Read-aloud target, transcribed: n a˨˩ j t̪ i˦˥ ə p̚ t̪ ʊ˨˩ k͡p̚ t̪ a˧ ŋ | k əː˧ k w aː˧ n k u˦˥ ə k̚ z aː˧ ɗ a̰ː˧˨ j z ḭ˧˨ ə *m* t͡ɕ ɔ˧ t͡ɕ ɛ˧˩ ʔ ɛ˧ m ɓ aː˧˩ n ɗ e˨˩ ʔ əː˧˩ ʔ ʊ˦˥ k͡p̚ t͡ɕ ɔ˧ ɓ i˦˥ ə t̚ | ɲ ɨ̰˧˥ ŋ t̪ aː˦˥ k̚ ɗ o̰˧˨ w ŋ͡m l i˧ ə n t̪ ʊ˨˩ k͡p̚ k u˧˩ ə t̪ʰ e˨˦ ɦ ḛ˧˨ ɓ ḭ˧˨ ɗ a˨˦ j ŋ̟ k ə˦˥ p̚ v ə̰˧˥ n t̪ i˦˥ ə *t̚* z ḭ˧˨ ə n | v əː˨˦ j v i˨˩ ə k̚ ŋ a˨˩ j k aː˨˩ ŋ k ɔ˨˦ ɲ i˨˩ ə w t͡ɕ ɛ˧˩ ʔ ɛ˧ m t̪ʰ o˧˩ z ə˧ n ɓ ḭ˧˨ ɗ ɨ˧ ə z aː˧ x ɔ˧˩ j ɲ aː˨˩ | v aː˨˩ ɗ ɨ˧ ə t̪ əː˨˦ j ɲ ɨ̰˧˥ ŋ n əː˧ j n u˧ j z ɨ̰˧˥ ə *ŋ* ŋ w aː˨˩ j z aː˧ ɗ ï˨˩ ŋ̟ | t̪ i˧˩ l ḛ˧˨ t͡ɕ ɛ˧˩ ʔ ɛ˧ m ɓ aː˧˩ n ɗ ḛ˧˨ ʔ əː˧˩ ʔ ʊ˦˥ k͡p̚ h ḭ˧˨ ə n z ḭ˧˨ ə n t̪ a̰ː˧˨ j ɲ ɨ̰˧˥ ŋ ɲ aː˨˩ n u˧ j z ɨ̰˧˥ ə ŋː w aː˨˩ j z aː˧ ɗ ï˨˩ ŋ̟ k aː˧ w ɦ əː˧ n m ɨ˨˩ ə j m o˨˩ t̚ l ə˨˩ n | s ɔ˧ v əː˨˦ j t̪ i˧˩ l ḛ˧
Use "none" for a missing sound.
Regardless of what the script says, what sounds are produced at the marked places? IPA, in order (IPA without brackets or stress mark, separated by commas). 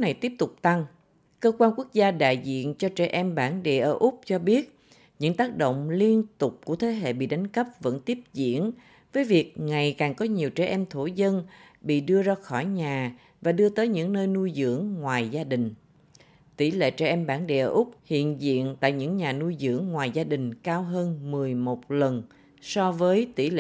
n, p̚, ŋ